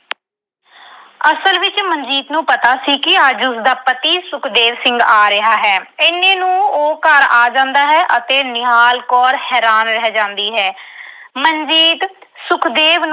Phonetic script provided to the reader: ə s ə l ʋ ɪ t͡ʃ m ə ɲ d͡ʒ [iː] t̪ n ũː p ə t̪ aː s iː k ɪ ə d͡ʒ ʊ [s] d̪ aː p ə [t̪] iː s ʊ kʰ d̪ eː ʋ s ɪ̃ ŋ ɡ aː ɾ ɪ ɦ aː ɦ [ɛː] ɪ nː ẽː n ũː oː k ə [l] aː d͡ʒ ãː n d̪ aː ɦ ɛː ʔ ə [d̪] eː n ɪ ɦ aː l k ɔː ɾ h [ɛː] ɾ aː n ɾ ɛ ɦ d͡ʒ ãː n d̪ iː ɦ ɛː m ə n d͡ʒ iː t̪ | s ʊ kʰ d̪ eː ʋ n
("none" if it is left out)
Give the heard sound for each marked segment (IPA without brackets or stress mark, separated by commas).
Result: iː, s, t̪, ɛː, ɾ, t̪, ɛː